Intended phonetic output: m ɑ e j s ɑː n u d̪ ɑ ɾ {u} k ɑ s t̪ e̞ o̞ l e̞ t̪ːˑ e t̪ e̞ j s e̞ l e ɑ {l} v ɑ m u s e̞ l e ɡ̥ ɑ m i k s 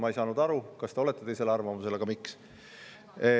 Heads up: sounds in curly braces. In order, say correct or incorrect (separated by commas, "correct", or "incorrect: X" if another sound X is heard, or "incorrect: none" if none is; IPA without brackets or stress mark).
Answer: correct, incorrect: r